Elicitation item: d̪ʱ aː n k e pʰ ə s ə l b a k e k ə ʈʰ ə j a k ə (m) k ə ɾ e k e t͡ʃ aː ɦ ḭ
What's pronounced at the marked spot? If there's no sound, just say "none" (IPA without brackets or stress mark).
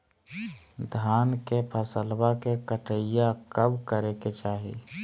b